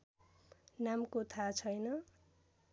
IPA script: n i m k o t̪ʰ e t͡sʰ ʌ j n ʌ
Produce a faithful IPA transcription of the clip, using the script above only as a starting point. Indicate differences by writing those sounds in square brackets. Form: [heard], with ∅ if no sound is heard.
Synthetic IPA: n [a] m k o t̪ʰ [a] t͡sʰ ʌ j n ʌ